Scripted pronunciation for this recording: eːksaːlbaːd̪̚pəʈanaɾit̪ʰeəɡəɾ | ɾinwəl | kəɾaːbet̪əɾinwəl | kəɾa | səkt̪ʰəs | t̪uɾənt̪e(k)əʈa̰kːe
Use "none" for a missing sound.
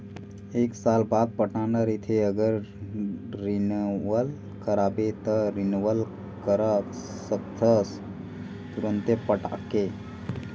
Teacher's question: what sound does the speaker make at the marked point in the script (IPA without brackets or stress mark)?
p